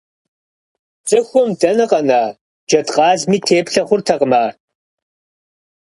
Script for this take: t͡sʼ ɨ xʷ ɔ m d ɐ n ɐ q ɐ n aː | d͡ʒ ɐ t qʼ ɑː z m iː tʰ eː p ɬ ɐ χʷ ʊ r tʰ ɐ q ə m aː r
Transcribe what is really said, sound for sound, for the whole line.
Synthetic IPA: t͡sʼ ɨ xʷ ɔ m d ɐ n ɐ q ɐ n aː | d͡ʒ ɐ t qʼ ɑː z m iː tʰ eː p ɬ ɐ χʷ ʊ r tʰ ɐ q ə m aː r